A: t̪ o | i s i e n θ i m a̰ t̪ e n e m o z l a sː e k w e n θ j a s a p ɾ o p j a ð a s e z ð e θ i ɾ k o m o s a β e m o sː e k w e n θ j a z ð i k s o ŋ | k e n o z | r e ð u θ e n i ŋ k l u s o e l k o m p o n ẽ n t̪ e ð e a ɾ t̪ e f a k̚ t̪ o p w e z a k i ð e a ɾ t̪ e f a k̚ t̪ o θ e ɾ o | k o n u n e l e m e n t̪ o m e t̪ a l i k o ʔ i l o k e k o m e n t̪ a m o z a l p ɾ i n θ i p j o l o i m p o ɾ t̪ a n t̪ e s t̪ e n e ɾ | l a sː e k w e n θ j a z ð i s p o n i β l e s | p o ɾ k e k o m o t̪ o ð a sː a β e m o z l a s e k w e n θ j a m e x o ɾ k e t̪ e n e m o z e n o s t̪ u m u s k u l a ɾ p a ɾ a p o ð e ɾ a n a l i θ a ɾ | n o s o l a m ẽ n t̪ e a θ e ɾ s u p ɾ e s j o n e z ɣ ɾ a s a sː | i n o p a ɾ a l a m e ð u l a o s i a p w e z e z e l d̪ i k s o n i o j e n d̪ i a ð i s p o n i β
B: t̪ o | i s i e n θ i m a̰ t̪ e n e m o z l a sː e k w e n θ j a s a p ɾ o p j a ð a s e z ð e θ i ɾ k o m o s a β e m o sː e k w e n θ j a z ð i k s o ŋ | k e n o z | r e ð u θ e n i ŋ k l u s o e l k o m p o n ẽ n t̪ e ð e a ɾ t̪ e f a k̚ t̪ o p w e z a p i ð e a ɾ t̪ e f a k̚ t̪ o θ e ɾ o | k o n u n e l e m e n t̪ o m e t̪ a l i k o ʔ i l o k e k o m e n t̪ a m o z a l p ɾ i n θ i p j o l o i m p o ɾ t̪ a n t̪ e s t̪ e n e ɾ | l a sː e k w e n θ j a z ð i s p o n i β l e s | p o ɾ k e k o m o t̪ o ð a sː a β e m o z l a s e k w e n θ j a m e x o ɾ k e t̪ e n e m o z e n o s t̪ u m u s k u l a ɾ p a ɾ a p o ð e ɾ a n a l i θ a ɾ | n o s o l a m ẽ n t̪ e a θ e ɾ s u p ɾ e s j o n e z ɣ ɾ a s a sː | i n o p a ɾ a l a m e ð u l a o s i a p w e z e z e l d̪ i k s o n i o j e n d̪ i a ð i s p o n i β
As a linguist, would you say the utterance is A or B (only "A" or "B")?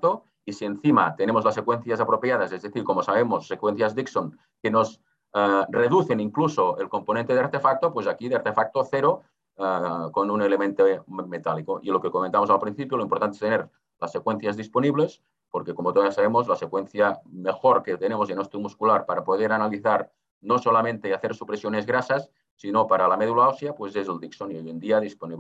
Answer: A